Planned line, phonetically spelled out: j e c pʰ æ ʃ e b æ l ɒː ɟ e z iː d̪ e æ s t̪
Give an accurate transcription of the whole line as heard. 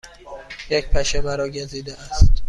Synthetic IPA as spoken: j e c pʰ æ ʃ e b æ ɾ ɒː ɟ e z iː d̪ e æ s t̪